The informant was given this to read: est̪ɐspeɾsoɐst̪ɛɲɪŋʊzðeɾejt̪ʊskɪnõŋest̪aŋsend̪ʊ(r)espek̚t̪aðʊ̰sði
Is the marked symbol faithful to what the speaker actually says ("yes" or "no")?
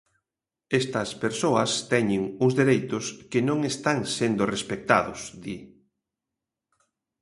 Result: yes